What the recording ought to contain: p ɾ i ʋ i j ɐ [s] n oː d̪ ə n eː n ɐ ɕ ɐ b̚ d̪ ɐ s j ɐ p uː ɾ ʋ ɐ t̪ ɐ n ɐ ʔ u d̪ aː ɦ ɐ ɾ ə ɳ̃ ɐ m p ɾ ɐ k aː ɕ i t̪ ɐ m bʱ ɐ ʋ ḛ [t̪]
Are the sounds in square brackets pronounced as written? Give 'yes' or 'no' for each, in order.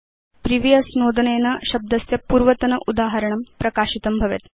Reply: yes, yes

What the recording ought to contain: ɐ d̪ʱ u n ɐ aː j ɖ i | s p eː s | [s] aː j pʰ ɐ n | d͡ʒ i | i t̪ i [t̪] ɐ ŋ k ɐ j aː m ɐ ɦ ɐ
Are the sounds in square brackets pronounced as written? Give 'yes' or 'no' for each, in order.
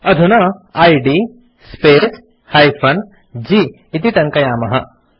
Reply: no, yes

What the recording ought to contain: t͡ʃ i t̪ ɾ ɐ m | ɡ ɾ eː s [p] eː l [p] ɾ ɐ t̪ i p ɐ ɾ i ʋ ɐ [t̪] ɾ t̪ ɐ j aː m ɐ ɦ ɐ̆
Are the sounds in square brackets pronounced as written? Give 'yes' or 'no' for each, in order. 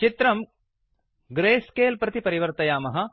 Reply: no, yes, no

